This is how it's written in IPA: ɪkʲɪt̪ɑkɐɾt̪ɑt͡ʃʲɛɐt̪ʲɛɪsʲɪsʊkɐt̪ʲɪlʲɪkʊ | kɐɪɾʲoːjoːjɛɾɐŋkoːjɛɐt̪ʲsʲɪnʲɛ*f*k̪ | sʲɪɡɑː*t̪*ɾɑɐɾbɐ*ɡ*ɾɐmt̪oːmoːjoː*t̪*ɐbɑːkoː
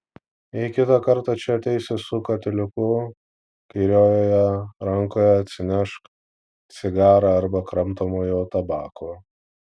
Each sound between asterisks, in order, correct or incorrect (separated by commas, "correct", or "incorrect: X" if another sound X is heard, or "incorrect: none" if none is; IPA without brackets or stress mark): incorrect: ʃ, incorrect: none, incorrect: k, correct